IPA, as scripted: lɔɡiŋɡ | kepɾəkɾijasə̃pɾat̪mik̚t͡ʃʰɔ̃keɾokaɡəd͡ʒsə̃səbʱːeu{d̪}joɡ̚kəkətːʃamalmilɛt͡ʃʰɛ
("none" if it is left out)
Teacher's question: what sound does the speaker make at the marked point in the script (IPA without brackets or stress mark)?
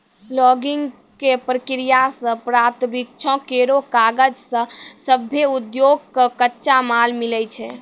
d̪